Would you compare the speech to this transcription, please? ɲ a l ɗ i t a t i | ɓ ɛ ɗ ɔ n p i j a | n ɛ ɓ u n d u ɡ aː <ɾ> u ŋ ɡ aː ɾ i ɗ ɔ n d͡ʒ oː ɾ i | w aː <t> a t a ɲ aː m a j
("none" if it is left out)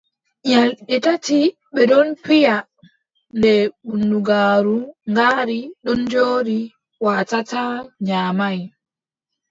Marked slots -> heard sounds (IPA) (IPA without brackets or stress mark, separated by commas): ɾ, t